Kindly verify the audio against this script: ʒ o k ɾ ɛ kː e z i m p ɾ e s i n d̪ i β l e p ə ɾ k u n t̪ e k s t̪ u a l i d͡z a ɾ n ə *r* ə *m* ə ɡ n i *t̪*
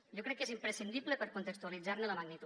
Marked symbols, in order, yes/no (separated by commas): no, yes, yes